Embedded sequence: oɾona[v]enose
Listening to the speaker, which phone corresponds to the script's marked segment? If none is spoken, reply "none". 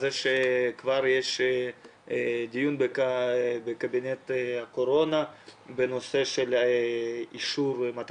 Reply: b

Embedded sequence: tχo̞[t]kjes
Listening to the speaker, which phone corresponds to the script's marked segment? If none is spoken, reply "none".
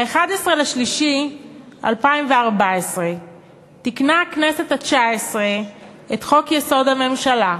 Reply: none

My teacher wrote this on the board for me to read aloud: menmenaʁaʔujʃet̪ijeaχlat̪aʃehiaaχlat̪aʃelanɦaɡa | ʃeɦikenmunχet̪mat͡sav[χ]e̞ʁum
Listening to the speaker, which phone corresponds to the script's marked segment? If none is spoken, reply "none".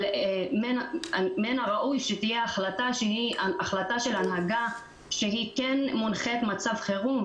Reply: χ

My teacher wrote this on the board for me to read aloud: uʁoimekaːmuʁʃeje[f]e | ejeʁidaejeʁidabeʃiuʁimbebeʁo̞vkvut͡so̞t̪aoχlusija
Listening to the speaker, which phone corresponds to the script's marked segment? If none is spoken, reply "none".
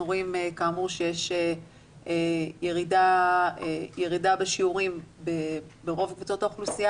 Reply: ʃ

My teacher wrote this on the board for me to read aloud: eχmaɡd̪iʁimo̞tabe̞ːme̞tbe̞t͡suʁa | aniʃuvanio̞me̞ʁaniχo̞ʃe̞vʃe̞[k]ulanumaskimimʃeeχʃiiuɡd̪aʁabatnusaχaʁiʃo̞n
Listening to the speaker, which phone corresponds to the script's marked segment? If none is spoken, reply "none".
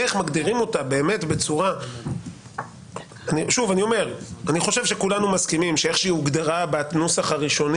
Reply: k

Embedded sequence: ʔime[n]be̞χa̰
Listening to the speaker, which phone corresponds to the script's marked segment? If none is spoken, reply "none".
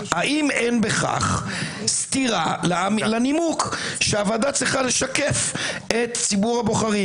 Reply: n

